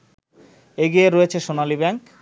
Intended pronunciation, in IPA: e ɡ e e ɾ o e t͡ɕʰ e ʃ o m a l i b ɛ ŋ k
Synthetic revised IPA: e ɡ i e ɾ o e t͡ɕʰ e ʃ o n a l i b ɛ ŋ k